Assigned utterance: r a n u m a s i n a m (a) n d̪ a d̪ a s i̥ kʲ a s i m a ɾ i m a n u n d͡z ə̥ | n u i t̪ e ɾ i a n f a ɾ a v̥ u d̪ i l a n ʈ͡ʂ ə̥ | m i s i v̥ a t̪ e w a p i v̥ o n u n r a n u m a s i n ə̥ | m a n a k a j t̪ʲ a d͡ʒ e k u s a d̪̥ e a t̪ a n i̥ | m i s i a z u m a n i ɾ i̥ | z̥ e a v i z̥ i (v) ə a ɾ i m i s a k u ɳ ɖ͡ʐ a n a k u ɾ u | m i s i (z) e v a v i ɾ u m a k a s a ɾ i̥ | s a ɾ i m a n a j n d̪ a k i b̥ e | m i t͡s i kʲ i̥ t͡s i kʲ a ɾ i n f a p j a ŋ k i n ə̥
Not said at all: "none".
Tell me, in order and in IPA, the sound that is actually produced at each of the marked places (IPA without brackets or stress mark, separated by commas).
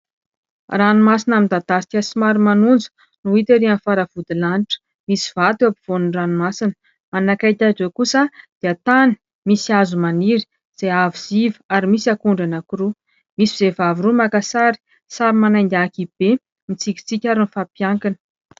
i, v, z